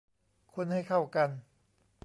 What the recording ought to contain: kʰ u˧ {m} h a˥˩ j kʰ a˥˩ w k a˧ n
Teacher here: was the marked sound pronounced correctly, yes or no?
no